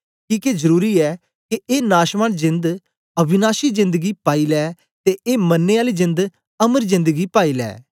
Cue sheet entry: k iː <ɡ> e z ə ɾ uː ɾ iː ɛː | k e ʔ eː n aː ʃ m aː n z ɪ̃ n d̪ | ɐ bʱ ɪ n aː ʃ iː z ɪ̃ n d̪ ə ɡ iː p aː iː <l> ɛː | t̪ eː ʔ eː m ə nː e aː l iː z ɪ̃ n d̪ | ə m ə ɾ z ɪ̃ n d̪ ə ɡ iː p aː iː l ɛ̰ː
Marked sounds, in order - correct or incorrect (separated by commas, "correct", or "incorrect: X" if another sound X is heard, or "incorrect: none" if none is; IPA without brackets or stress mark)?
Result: incorrect: k, correct